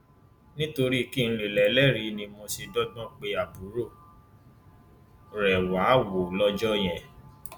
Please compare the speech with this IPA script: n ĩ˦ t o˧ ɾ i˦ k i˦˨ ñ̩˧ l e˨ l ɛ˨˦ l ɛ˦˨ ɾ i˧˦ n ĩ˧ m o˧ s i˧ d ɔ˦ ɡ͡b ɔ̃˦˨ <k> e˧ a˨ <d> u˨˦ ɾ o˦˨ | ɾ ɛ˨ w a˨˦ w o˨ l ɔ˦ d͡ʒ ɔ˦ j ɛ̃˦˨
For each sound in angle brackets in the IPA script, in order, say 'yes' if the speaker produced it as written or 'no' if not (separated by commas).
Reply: no, no